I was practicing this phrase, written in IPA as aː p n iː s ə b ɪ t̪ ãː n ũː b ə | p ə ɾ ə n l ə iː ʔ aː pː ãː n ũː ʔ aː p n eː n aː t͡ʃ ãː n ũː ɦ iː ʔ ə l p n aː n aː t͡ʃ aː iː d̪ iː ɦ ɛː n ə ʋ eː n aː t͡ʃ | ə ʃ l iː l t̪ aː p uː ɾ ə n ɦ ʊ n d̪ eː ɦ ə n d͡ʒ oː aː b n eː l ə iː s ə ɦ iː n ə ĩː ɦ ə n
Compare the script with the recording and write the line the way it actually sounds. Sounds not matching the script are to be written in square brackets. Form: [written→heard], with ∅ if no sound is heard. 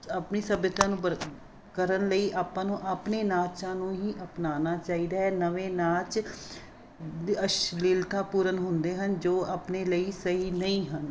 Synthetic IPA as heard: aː p n iː s ə b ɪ t̪ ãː n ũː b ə | [p→k] ə ɾ ə n l ə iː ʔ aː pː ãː n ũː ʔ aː p n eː n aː t͡ʃ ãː n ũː ɦ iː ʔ ə [l→∅] p n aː n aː t͡ʃ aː iː d̪ [iː→aː] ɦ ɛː n ə ʋ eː n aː t͡ʃ | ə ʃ l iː l t̪ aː p uː ɾ ə n ɦ ʊ n d̪ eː ɦ ə n d͡ʒ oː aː [b→p] n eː l ə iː s ə ɦ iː n ə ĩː ɦ ə n